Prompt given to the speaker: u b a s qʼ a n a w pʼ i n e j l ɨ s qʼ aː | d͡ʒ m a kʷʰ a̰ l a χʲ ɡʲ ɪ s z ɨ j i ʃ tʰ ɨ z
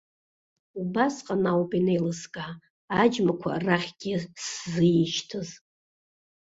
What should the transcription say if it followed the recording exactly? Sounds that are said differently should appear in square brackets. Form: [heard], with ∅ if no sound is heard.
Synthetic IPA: u b a s qʼ a n a w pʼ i n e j l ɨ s [kʼ] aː | d͡ʒ m a kʷʰ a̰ [r] a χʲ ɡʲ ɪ s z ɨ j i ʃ tʰ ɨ z